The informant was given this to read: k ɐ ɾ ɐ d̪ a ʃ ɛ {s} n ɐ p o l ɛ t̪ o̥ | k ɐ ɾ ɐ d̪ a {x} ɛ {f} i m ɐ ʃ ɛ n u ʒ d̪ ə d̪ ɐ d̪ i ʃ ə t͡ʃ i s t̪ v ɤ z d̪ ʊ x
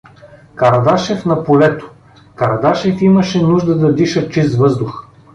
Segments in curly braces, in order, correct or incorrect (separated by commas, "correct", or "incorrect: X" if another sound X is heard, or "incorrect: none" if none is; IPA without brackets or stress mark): incorrect: f, incorrect: ʃ, correct